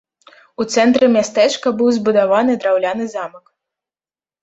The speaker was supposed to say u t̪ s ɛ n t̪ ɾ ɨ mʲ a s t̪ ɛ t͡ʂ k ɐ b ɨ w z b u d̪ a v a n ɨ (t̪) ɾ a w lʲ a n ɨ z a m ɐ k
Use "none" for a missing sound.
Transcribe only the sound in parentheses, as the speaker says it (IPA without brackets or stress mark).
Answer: d̪